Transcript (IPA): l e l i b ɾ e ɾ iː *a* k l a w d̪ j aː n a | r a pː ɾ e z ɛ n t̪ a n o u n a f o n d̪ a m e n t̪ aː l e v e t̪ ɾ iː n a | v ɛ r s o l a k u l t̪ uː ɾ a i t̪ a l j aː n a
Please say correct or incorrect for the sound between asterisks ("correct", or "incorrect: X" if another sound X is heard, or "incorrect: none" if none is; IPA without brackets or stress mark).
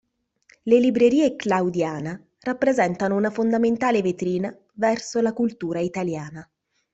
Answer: incorrect: e